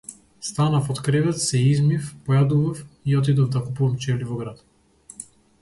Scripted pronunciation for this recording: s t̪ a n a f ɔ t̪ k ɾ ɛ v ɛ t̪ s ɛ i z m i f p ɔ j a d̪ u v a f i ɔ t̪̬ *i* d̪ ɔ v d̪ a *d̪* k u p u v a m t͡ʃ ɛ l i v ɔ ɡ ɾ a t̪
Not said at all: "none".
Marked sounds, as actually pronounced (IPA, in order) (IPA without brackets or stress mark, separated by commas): i, none